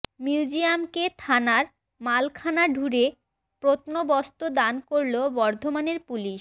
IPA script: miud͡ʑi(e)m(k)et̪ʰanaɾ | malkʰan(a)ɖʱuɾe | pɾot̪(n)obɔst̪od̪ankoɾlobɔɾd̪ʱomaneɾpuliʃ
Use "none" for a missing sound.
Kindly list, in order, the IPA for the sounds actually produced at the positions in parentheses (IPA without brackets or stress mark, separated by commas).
a, k, a, n